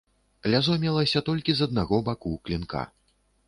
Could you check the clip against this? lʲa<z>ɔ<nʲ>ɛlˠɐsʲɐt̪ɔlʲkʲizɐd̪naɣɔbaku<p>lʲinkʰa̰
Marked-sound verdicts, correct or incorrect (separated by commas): correct, incorrect, incorrect